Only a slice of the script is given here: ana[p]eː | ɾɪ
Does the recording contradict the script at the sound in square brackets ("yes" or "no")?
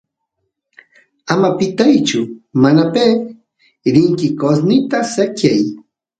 no